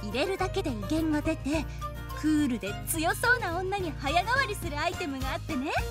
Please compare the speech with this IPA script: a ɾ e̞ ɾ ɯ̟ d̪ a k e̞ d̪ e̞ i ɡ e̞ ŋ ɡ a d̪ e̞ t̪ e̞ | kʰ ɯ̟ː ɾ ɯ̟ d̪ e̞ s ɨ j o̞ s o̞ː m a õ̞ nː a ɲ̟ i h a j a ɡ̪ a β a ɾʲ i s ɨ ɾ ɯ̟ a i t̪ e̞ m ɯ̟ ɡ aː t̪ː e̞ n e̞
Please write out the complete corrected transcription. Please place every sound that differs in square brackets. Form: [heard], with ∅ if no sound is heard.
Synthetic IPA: [i] ɾ e̞ ɾ ɯ̟ d̪ a k e̞ d̪ e̞ i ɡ [ẽ̞] ŋ ɡ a d̪ e̞ t̪ e̞ | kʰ ɯ̟ː ɾ ɯ̟ d̪ e̞ [t͡s] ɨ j o̞ s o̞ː [n] a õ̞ nː a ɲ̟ i h a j a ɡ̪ a β a ɾʲ i s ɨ ɾ ɯ̟ a i t̪ e̞ m ɯ̟ ɡ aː t̪ː e̞ n e̞